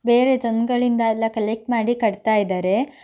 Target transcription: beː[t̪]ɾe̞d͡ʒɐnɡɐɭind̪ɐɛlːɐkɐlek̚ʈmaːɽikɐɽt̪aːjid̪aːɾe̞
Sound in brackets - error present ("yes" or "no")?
yes